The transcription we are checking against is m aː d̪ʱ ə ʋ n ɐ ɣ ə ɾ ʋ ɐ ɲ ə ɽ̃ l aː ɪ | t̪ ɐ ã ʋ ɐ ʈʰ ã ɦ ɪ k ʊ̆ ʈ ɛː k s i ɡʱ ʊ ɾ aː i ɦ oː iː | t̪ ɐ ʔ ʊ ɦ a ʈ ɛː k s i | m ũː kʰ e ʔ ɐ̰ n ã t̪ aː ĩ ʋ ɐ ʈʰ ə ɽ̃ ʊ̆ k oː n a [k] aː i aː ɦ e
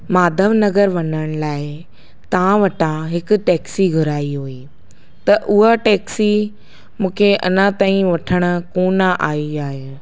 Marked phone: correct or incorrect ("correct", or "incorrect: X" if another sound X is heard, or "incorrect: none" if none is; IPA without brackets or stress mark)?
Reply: incorrect: ʔ